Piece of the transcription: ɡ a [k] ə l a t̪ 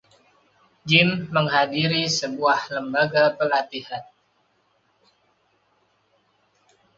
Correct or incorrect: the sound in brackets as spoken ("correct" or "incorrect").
incorrect